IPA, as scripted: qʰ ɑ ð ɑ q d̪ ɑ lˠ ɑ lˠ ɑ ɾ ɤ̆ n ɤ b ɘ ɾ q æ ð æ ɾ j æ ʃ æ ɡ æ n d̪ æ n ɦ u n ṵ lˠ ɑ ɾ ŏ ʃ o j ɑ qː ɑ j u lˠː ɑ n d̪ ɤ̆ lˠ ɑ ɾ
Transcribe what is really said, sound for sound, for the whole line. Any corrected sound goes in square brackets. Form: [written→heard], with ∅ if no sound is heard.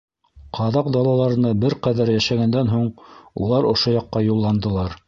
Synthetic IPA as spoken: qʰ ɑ ð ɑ q d̪ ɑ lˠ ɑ lˠ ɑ ɾ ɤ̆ n ɤ b ɘ ɾ q æ ð æ ɾ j æ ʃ æ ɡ æ n d̪ æ n ɦ u [n→ɴ] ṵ lˠ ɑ ɾ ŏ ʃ o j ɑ qː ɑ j u lˠː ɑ n d̪ ɤ̆ lˠ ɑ ɾ